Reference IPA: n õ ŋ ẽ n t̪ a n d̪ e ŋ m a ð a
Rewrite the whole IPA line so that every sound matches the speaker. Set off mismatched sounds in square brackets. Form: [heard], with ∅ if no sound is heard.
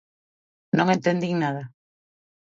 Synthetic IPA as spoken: n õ ŋ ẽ n t̪ [e] n d̪ [i] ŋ [n] a ð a